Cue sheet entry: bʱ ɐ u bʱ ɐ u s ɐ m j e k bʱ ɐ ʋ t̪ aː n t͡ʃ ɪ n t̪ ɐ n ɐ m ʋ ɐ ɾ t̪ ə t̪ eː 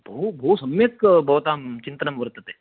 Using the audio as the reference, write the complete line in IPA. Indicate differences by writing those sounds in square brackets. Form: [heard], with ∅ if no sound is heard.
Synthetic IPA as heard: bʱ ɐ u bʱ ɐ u s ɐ m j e k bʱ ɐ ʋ t̪ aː [m] t͡ʃ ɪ n t̪ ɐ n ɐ m ʋ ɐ ɾ t̪ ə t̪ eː